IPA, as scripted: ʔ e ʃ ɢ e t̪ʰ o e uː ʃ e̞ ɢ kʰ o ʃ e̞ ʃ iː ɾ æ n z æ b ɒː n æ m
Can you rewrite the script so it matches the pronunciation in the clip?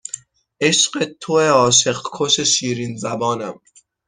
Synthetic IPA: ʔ e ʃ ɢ e t̪ʰ o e ɒː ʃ e̞ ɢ kʰ o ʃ e̞ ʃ iː ɾ i n z æ b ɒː n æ m